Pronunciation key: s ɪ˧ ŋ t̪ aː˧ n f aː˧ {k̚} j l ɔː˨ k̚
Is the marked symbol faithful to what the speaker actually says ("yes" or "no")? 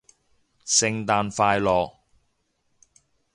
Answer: no